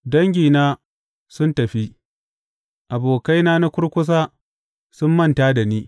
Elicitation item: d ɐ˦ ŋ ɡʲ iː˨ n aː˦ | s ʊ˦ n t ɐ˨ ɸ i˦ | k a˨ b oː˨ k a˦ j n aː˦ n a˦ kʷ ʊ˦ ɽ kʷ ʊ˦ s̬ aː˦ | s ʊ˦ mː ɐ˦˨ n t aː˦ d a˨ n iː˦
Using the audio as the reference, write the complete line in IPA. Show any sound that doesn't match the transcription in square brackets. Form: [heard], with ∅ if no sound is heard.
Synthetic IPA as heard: d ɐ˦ ŋ ɡʲ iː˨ n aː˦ | s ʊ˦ n t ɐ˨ ɸ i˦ | [ʔ] a˨ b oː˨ k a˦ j n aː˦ n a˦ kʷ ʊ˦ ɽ kʷ ʊ˦ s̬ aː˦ | s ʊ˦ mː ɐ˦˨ n t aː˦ d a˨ n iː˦